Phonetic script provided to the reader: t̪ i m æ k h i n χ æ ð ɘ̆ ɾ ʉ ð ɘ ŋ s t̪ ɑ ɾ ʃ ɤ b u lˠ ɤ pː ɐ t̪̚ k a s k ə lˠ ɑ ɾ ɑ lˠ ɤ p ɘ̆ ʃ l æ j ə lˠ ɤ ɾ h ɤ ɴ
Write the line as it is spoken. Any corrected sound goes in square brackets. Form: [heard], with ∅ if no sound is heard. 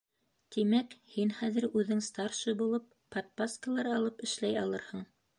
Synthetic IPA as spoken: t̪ i m æ k h i n χ æ ð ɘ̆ ɾ ʉ ð ɘ ŋ s t̪ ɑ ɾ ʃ ɤ b u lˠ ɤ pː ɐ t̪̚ [p] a s k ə lˠ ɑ ɾ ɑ lˠ ɤ p ɘ̆ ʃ l æ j [ɑ] lˠ ɤ ɾ h ɤ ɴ